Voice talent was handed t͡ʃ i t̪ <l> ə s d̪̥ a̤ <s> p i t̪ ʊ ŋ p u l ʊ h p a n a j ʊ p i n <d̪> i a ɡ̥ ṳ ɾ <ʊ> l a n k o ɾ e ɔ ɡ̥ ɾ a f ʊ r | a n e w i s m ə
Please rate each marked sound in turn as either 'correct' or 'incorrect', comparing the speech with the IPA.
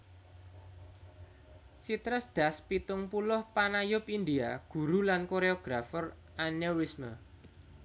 incorrect: ɾ, correct, correct, incorrect: u

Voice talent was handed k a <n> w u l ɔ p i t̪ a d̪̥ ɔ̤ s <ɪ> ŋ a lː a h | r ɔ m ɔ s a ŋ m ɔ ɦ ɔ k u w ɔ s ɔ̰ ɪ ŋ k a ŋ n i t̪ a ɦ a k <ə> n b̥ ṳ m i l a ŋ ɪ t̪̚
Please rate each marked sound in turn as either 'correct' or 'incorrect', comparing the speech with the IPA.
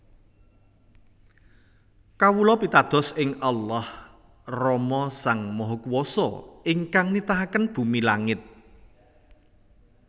incorrect: none, correct, correct

